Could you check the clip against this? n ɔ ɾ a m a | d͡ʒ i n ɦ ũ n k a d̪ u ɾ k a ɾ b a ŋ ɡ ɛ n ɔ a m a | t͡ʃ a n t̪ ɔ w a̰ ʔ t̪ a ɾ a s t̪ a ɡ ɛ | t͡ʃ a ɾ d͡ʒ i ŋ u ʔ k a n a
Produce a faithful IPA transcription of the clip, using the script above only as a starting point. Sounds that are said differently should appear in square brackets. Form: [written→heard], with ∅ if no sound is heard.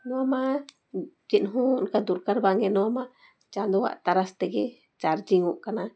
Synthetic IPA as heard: n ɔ [ɾ→∅] a m a | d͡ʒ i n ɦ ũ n k a d̪ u ɾ k a ɾ b a ŋ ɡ ɛ n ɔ a m a | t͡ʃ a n [t̪→d̪] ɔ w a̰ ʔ t̪ a ɾ a s t̪ [a→ɛ] ɡ ɛ | t͡ʃ a ɾ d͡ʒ i ŋ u ʔ k a n a